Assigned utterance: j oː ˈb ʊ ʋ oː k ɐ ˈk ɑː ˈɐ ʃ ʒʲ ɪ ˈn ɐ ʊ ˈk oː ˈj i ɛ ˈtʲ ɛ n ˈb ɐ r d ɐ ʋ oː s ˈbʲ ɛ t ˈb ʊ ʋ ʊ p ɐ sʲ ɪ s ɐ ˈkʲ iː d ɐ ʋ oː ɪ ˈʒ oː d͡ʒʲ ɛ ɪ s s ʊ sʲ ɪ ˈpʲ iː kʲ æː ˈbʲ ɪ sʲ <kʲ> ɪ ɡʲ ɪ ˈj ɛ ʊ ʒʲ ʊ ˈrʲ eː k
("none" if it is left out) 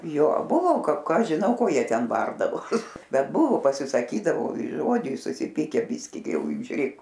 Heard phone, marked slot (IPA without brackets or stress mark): kʲ